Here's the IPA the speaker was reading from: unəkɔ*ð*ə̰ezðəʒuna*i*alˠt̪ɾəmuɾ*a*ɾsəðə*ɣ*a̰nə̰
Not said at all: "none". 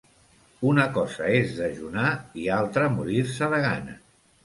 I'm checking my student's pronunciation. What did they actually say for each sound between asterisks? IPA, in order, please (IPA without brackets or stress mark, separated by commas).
z, i, i, ɣ